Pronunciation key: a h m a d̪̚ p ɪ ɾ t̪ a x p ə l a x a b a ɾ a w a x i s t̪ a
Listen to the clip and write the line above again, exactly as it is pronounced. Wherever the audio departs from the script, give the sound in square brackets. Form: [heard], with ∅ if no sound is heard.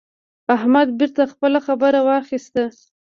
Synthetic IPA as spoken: a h m a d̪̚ [b] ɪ ɾ t̪ a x p ə l a x a b [ə] ɾ a w [ɑ] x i s t̪ a